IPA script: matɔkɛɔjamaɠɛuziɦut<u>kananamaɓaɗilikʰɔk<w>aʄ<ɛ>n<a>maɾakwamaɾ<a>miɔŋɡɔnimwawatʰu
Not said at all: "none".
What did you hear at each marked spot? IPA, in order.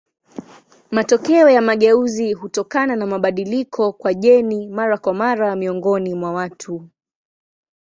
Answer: ɔ, w, ɛ, i, a

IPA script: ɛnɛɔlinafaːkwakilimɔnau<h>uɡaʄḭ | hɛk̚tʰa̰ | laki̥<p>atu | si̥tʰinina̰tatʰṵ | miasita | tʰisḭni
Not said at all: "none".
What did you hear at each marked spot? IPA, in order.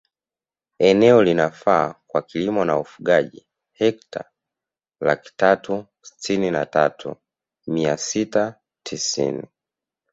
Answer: f, t

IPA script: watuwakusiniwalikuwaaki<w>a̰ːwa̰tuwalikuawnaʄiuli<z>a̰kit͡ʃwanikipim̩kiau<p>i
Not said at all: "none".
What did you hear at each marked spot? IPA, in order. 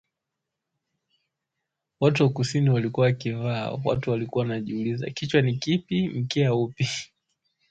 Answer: v, z, p

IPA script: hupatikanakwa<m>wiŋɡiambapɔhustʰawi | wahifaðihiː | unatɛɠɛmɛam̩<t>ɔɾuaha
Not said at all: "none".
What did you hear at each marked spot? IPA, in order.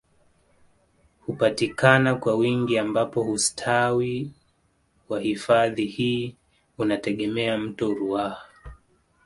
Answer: none, t

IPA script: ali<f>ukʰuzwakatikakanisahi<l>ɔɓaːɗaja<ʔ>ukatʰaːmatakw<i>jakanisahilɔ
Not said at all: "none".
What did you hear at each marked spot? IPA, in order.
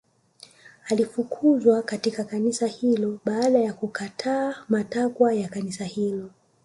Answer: f, l, k, a

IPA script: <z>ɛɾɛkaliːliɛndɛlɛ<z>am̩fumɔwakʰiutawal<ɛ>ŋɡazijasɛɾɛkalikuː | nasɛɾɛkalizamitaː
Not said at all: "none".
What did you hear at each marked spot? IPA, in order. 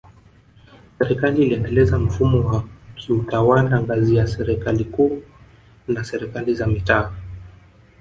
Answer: s, z, a

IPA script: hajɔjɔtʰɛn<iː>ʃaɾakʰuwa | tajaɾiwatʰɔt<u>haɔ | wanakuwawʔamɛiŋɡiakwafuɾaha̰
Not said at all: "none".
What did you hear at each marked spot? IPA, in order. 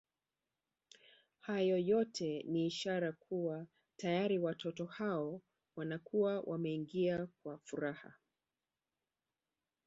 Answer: iː, ɔ

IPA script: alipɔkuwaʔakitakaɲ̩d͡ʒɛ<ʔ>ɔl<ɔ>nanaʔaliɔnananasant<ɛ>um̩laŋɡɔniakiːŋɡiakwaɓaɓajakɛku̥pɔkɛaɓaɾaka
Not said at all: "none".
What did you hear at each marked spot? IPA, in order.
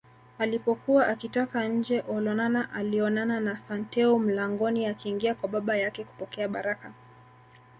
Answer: ʔ, ɔ, ɛ

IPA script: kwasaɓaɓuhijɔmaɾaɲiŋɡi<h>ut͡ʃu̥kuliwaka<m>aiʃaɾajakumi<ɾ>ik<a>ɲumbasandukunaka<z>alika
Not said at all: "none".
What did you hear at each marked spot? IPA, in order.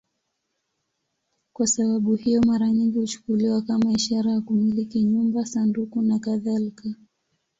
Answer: h, m, l, i, ð

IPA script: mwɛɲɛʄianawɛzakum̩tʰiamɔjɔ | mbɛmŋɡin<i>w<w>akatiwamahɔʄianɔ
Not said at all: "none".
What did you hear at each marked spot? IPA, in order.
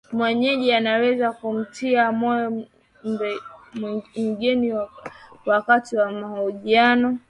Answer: i, w

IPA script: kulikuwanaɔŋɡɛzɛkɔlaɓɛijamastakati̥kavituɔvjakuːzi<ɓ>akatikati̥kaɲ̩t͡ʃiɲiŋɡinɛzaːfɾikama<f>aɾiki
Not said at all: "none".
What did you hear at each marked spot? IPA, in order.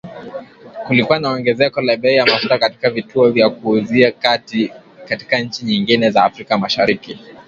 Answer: none, ʃ

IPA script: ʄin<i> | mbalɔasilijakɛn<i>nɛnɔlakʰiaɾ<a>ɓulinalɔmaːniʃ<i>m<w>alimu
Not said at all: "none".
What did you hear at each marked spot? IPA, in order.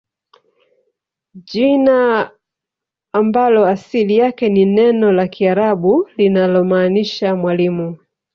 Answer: a, i, a, a, w

